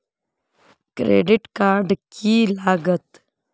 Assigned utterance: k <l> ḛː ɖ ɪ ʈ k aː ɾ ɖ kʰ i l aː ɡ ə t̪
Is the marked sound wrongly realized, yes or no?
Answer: yes